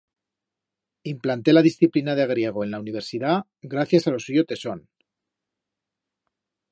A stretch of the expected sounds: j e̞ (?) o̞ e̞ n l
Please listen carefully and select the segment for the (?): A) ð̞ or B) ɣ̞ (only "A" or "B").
B